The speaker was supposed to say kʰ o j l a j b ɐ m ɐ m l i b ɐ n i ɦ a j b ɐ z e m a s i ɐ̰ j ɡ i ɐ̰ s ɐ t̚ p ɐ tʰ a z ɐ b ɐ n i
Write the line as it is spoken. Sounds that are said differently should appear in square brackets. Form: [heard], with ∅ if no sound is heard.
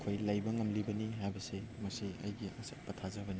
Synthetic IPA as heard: kʰ o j l a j b ɐ [ŋ] ɐ m l i b ɐ n i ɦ a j b ɐ [s] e m [ɐ] s i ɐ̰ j ɡ i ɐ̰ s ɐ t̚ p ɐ tʰ a z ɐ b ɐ n i